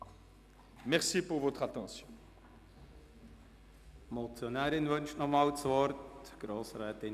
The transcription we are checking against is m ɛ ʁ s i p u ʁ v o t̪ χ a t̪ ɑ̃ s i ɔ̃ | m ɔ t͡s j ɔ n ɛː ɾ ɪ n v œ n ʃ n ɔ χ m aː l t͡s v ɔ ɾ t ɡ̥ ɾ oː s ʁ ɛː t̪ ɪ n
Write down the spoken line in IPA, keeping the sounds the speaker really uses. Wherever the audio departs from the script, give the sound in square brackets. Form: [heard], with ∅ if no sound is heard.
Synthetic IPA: m ɛ ʁ s i p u ʁ v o t̪ χ a t̪ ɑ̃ s [j] ɔ̃ | m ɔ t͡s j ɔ n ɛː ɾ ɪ n v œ n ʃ n ɔ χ m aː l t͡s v ɔ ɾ t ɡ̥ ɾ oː s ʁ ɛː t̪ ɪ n